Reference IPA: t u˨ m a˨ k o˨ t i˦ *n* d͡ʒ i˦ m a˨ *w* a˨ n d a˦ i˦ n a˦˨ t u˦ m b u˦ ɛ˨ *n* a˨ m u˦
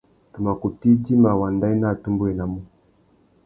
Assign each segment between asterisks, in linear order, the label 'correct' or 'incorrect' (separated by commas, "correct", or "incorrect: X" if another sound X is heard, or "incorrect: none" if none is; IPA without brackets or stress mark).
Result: incorrect: none, correct, correct